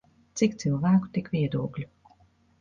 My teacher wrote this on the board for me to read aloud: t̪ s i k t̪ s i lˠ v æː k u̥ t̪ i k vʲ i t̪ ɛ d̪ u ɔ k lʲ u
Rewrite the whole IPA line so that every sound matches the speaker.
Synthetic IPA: t̪ s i k t̪ s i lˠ v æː k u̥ t̪ i k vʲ i ɛ d̪ u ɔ k lʲ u